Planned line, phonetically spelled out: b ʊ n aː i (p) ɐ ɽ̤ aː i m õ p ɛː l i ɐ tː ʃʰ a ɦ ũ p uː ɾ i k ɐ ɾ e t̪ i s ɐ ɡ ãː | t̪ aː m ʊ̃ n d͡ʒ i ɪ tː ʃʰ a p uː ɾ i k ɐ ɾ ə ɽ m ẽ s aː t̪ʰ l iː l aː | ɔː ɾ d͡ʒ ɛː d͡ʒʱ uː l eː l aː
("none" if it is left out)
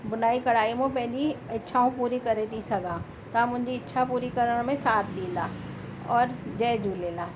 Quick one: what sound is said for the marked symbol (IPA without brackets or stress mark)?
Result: k